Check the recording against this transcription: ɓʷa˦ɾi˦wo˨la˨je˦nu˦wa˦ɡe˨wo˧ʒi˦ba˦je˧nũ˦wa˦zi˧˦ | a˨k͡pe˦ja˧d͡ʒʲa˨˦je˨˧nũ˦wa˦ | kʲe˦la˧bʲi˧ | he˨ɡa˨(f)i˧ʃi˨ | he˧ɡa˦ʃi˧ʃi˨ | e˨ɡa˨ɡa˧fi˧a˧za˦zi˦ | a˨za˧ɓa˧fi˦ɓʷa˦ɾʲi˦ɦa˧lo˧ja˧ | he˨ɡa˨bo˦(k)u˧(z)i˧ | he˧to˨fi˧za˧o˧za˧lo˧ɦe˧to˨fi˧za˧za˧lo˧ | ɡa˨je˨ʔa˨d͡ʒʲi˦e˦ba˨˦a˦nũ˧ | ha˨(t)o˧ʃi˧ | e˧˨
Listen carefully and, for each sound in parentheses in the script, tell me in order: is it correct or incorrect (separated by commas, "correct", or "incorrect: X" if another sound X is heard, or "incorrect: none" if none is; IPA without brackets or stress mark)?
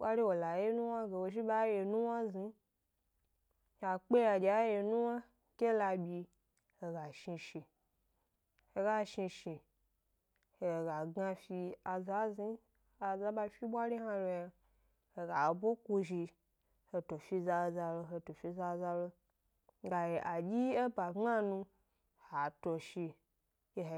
incorrect: ʃ, correct, incorrect: ʒ, correct